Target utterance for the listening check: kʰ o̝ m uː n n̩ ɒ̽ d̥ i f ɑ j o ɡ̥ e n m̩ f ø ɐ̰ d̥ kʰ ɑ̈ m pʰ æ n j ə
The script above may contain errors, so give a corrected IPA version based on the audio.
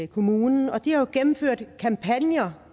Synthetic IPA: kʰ o̝ m uː n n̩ ɒ̽ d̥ i h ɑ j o ɡ̥ e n m̩ f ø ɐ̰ d̥ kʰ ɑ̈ m pʰ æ n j ɐ